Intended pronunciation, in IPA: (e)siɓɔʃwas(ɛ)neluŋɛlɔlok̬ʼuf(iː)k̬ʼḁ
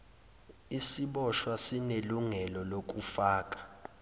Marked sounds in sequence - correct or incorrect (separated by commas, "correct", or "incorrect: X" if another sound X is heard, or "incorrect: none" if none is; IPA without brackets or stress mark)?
incorrect: i, incorrect: i, incorrect: aː